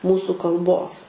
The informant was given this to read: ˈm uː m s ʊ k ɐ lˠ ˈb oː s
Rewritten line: ˈm uː s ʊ k ɐ lˠ ˈb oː s